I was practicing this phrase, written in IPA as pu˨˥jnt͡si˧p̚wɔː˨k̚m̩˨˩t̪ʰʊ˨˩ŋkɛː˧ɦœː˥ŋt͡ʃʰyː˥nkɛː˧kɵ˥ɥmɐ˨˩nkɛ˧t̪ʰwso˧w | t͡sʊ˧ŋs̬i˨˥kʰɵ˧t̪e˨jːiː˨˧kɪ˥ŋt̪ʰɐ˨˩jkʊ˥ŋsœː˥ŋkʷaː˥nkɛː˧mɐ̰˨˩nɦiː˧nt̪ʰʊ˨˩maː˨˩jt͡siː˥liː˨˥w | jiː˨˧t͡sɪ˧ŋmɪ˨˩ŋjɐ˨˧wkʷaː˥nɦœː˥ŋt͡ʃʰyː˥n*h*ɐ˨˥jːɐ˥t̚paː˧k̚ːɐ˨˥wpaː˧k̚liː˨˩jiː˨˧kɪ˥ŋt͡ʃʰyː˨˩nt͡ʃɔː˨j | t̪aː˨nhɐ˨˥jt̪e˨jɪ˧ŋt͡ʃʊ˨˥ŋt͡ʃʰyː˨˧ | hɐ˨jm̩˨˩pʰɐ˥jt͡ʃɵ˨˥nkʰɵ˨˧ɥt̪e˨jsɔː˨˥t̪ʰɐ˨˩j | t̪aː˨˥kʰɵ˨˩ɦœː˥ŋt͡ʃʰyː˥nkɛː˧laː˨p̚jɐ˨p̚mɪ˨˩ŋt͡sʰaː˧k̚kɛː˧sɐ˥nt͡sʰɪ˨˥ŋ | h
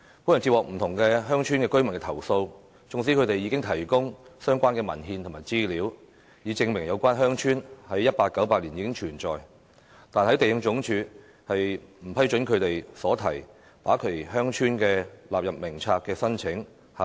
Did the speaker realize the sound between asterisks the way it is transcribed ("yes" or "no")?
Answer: yes